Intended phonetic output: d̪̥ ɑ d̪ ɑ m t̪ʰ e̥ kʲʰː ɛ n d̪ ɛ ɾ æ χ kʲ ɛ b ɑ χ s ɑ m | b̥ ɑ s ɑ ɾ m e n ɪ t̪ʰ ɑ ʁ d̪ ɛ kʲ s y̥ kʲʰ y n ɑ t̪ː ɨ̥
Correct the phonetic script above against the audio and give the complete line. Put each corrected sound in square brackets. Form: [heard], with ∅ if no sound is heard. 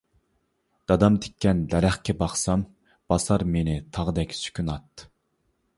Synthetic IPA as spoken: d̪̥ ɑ d̪ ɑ m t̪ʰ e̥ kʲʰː ɛ n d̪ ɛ ɾ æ χ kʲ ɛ b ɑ χ s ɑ m | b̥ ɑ s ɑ ɾ m e n ɪ t̪ʰ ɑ ʁ d̪ ɛ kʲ s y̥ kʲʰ y n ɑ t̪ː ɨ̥